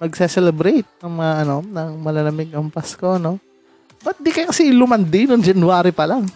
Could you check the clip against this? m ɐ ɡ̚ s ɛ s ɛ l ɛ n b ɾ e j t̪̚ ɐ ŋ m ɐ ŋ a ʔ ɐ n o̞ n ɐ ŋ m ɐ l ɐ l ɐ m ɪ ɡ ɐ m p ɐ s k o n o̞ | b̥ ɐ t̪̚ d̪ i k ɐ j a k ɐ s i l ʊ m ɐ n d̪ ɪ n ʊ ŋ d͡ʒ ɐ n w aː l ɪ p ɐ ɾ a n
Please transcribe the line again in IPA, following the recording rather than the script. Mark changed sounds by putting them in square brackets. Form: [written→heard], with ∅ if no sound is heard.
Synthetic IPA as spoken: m ɐ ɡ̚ s ɛ s ɛ l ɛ [n→∅] b ɾ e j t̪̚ ɐ ŋ m ɐ ŋ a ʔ ɐ n o̞ n ɐ ŋ m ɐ l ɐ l ɐ m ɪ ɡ ɐ m p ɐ s k o n o̞ | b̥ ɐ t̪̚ d̪ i k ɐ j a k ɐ s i l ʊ m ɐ n d̪ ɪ n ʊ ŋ d͡ʒ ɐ n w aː [l→ɾ] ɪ p ɐ [ɾ→l] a [n→ŋ]